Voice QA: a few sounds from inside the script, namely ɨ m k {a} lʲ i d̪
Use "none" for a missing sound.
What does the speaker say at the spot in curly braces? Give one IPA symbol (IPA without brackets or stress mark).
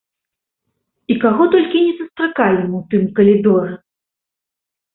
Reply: ɐ